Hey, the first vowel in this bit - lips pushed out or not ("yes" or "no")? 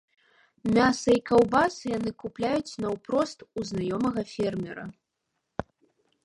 no